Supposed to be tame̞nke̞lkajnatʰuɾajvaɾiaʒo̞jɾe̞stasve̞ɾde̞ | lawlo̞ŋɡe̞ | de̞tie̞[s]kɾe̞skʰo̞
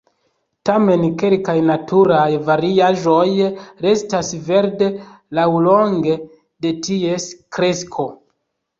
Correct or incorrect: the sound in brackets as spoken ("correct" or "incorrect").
correct